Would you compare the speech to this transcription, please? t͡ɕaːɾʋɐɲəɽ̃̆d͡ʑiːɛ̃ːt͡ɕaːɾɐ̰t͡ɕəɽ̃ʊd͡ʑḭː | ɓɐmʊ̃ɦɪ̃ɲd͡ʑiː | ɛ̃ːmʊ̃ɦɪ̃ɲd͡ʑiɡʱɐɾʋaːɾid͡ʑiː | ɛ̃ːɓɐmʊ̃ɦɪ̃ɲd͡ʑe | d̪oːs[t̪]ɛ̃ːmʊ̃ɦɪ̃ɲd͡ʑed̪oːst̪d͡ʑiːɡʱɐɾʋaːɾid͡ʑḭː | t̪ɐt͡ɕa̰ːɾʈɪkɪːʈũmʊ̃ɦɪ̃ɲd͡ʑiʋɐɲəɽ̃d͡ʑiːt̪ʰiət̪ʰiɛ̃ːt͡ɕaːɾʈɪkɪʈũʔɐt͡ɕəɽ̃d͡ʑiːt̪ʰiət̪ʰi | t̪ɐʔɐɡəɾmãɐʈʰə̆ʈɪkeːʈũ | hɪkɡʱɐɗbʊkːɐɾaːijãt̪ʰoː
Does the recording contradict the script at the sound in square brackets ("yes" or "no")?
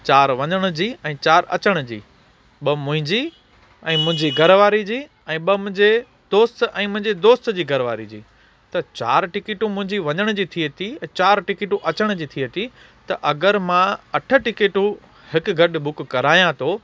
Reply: no